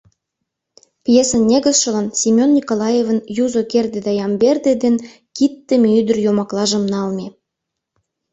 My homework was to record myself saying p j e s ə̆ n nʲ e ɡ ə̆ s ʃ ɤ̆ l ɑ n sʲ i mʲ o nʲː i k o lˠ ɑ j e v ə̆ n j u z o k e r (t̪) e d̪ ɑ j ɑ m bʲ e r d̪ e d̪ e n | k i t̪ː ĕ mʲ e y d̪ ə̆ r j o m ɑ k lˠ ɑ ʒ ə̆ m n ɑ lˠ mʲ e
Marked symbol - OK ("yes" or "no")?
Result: no